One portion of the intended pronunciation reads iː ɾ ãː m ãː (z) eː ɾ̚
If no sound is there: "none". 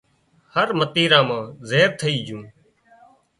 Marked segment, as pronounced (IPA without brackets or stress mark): z